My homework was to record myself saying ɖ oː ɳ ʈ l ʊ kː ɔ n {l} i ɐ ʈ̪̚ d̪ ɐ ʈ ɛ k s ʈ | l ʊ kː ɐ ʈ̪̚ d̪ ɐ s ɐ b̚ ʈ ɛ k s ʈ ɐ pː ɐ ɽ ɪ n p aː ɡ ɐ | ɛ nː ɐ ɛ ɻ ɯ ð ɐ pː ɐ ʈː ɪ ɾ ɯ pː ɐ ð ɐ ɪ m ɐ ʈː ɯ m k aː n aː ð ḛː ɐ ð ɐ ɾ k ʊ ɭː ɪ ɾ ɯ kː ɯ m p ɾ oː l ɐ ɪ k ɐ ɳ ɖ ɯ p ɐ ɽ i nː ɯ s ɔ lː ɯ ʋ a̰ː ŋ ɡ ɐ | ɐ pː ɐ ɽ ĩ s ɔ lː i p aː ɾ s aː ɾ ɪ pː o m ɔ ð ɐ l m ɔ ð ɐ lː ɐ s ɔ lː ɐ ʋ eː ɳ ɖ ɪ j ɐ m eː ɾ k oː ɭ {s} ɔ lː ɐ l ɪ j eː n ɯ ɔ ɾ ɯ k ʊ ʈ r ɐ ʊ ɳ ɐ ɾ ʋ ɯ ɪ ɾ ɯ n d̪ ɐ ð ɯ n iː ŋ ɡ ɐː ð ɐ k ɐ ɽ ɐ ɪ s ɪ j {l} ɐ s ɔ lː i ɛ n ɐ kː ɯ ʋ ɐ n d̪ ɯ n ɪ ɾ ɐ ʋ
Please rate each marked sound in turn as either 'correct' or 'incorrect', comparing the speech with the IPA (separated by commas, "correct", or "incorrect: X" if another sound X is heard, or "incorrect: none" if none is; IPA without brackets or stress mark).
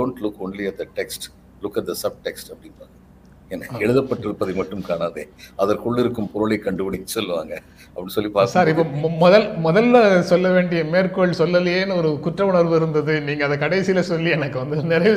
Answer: correct, correct, correct